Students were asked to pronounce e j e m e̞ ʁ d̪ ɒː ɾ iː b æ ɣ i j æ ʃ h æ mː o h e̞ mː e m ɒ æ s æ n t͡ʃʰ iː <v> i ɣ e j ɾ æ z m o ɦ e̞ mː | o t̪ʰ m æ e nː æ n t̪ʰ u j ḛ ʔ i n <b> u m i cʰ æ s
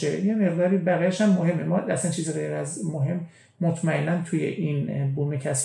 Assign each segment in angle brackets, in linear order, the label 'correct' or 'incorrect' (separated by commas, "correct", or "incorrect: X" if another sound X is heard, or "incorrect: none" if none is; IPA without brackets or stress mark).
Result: incorrect: z, correct